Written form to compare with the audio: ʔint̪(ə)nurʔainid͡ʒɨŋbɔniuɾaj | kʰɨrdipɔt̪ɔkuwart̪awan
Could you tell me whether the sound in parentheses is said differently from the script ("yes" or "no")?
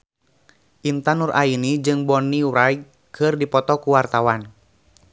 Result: yes